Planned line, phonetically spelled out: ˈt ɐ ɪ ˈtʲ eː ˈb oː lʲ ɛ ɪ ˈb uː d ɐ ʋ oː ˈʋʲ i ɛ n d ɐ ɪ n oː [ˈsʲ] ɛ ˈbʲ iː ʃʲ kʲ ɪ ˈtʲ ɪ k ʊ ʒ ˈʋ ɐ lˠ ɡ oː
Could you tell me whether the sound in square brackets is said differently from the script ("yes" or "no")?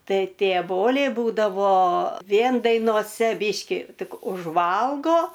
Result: no